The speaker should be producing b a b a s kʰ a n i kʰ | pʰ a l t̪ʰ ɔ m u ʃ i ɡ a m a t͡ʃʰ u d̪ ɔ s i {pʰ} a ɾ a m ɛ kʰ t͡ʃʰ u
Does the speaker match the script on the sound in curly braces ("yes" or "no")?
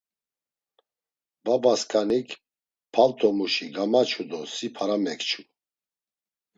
yes